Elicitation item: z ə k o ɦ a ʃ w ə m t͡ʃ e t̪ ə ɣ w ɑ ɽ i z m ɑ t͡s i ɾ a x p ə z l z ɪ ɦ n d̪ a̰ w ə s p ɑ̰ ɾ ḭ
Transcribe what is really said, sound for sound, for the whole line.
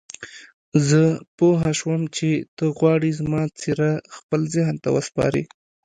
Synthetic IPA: z ə p o ɦ a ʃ w ə m t͡ʃ e t̪ ə ɣ w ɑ ɽ i z m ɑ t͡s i ɾ a x p ə l z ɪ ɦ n t̪ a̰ w ə s p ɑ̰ ɾ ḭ